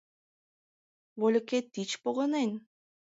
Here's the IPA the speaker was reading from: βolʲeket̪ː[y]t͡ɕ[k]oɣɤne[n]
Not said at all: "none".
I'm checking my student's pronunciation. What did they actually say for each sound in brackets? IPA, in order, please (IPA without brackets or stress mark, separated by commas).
i, p, n